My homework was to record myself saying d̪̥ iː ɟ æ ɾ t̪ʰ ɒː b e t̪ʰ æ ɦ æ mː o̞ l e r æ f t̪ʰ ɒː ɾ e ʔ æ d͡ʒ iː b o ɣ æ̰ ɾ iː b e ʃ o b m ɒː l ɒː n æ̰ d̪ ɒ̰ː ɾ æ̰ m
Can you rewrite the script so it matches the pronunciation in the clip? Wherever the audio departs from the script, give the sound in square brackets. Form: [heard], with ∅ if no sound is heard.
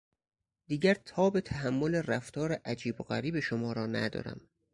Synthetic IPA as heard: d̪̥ iː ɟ æ ɾ t̪ʰ ɒː b e t̪ʰ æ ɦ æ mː o̞ l e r æ f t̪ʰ ɒː ɾ e ʔ æ d͡ʒ iː b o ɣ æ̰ ɾ iː b e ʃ o [∅] m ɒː [ɾ] ɒː n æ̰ d̪ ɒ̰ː ɾ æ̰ m